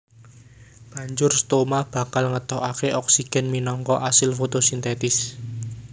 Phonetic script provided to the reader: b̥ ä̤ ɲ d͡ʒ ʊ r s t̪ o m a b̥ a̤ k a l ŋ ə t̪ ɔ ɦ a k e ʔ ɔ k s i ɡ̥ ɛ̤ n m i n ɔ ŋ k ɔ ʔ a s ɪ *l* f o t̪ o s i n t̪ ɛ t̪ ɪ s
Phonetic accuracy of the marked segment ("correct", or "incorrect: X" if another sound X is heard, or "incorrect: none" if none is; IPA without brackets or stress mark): correct